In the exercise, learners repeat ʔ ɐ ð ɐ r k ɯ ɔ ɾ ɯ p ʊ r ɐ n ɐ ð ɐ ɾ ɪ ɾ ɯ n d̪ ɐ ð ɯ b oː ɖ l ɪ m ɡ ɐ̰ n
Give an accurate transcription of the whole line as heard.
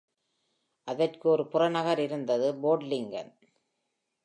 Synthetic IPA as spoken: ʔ ɐ ð ɐ r k ɯ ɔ ɾ ɯ p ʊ r ɐ n ɐ ɣ ɐ ɾ ɪ ɾ ɯ n d̪ ɐ ð ɯ b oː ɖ l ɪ ŋ ɡ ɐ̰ n